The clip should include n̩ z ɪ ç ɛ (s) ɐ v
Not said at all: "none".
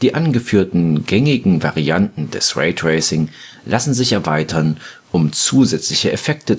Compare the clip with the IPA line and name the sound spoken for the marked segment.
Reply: none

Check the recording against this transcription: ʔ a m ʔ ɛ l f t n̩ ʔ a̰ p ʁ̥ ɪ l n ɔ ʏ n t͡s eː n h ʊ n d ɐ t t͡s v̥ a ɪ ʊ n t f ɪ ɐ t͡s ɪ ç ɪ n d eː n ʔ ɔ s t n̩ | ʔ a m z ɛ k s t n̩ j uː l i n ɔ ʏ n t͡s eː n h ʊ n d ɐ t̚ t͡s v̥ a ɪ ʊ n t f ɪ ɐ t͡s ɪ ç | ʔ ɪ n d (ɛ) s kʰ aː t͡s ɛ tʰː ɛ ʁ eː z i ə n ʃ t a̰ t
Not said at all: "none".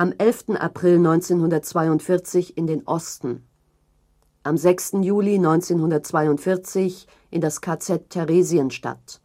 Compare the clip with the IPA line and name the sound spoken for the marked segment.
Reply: a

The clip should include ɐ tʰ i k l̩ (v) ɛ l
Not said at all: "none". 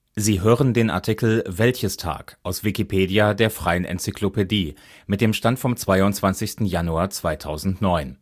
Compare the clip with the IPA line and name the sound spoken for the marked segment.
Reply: v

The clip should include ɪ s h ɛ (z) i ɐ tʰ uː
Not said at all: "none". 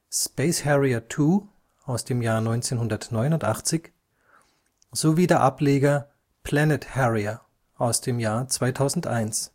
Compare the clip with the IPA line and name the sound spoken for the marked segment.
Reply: ʁ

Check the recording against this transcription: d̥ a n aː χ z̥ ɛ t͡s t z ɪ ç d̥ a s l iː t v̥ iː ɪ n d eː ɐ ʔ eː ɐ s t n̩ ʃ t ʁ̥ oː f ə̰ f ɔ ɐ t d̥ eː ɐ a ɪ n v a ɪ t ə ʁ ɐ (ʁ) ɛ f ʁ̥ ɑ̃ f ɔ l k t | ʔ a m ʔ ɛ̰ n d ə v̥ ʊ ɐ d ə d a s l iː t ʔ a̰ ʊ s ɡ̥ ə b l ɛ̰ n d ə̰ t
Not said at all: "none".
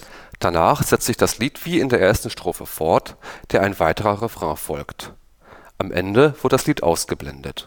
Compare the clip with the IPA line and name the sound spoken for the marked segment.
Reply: ʁ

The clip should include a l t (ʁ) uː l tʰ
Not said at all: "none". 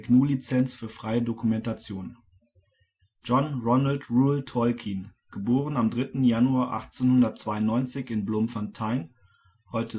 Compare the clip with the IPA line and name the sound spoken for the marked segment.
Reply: ʁ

